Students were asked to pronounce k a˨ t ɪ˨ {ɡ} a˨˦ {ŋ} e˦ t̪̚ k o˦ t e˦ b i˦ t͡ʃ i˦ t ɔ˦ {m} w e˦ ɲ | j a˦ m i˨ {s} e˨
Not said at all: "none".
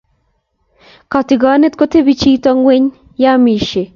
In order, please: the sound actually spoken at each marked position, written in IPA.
ɡ, n, ŋ, ʃ

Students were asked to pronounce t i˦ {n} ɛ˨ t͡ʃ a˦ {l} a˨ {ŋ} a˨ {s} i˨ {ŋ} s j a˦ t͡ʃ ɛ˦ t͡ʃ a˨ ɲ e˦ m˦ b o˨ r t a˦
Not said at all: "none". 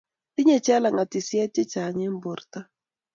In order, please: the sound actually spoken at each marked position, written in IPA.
ɲ, l, ŋ, t, none

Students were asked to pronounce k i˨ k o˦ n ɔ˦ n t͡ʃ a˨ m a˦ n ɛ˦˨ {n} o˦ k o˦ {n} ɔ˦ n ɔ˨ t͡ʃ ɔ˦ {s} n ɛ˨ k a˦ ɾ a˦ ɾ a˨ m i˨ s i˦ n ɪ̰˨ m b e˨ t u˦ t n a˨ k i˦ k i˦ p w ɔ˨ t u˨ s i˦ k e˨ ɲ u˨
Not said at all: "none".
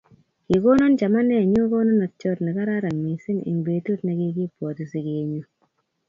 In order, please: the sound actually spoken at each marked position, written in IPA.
ɲ, n, t

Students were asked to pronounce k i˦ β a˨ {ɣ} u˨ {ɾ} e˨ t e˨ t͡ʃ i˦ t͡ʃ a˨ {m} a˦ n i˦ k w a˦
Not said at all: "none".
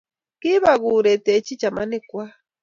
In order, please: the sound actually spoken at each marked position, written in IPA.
ɣ, ɾ, m

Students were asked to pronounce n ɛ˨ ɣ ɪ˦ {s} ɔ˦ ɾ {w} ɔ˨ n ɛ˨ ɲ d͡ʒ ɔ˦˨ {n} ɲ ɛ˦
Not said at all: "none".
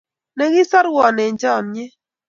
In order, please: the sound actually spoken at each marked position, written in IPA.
s, w, n

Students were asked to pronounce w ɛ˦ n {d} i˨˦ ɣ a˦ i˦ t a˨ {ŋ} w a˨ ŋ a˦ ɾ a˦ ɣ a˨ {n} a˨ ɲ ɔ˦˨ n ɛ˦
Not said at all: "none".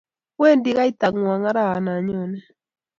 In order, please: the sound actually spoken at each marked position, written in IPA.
d, ŋ, n

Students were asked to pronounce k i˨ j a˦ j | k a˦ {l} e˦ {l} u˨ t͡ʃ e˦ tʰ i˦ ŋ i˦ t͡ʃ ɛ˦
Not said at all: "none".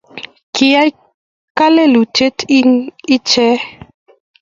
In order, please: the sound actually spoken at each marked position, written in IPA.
l, l

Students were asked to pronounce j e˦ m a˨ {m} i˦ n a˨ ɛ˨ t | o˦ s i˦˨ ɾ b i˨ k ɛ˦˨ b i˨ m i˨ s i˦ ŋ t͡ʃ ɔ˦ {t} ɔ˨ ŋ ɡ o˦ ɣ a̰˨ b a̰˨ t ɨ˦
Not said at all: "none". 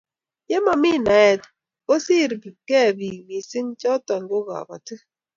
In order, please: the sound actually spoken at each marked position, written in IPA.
m, t

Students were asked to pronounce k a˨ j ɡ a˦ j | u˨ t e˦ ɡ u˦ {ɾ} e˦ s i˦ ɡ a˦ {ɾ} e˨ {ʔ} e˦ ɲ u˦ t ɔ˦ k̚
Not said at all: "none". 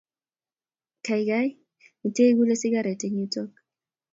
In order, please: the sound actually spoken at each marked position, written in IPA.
l, ɾ, t

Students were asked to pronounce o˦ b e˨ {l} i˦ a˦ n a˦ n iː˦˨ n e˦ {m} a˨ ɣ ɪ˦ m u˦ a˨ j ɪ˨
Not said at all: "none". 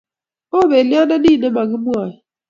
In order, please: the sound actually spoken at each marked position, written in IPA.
l, m

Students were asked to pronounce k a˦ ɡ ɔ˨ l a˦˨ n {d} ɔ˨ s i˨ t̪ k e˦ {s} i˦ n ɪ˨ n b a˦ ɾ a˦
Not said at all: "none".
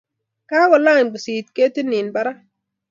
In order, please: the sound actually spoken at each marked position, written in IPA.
b, t

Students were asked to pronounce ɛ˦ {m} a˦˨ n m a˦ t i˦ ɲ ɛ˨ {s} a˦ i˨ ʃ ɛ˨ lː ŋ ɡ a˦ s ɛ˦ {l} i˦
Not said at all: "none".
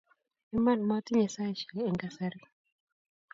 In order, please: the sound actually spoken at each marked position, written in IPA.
m, s, ɾ

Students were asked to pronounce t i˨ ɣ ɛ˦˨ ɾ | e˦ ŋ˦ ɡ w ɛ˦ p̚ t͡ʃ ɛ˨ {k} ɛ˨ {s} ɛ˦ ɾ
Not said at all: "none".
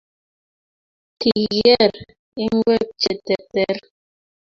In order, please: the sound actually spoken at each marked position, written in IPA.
t, t

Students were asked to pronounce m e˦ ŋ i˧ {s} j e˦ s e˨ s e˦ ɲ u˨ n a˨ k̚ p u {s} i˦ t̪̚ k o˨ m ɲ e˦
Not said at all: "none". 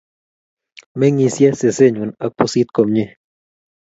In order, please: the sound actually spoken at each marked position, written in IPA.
s, s

